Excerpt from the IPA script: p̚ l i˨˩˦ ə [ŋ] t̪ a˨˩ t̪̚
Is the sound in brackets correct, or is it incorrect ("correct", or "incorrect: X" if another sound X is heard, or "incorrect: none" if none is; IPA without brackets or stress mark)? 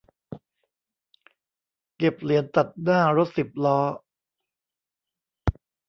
incorrect: n